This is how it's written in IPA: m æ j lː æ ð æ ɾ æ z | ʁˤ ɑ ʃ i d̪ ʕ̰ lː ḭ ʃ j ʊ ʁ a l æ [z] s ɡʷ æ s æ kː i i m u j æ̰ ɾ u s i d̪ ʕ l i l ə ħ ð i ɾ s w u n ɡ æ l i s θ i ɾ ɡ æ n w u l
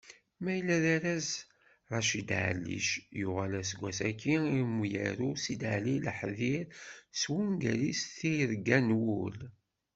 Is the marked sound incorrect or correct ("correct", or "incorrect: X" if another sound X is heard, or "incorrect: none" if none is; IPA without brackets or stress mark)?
incorrect: none